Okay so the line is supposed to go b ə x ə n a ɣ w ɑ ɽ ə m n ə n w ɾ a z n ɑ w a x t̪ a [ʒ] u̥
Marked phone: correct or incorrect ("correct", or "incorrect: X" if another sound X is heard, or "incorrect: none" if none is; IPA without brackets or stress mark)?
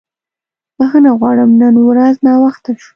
incorrect: ʃ